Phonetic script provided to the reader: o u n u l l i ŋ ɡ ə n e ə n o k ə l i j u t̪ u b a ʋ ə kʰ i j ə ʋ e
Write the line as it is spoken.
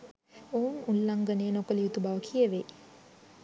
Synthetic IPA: o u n u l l a ŋ ɡ ə n e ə n o k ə l i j u t̪ u b a ʋ ə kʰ i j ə ʋ e